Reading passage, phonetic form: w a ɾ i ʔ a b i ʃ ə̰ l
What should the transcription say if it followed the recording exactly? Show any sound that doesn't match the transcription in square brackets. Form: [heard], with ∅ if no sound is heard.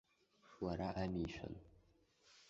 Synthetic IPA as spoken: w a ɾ [a] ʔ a [m] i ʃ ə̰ l